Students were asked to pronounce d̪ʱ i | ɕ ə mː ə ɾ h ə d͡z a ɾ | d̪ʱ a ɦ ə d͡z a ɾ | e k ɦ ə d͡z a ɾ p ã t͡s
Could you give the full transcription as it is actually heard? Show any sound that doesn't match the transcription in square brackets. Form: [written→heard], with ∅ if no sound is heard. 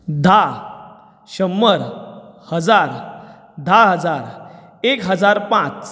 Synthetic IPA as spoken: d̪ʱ [i→a] | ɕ ə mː ə ɾ h ə d͡z a ɾ | d̪ʱ a ɦ ə d͡z a ɾ | e k ɦ ə d͡z a ɾ p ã t͡s